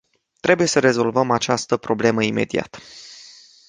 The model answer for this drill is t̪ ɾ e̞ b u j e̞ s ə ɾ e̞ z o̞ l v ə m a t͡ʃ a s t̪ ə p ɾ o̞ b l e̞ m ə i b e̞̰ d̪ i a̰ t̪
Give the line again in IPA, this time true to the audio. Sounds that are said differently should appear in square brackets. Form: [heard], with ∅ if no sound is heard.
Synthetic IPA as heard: t̪ ɾ e̞ b u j e̞ s ə ɾ e̞ z o̞ l v ə m a t͡ʃ a s t̪ ə p ɾ o̞ b l e̞ m ə i [m] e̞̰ d̪ i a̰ t̪

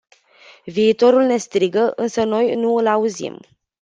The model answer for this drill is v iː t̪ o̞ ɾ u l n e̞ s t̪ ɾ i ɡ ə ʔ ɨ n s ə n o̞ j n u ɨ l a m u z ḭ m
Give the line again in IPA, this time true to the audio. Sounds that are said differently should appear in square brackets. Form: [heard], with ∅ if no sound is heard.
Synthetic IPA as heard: v iː t̪ o̞ ɾ u l n e̞ s t̪ ɾ i ɡ ə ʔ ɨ n s ə n o̞ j n u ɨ l a [∅] u z ḭ m

